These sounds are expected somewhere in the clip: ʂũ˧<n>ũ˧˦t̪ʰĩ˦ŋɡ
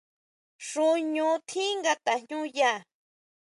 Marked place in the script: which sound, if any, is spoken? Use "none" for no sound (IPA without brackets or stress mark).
ɲ